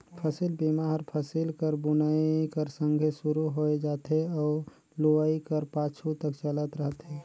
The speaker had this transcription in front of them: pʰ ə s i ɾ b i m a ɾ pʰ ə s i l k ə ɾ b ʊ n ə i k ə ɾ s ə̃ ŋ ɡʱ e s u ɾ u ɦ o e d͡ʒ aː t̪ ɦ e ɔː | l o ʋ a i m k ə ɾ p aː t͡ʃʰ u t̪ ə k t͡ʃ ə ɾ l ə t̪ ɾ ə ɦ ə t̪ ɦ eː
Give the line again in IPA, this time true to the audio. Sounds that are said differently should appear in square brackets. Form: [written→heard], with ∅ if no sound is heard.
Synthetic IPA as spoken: pʰ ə s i [ɾ→l] b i m a ɾ pʰ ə s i l k ə ɾ b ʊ n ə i k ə ɾ s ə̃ ŋ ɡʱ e s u ɾ u ɦ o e d͡ʒ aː t̪ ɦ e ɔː | l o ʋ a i [m→∅] k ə ɾ p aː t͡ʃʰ u t̪ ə k t͡ʃ ə [ɾ→∅] l ə t̪ ɾ ə ɦ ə t̪ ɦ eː